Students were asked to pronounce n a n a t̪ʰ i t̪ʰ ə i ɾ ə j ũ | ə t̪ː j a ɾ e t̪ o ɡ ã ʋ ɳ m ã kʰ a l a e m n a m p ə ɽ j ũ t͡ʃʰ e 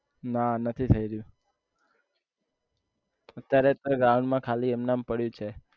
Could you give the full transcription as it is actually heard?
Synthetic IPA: n a n ə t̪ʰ i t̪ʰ ə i ɾ ə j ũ | ə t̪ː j a ɾ e t̪ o ɡ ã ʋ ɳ m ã kʰ a l i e m n a m p ə ɽ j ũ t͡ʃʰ e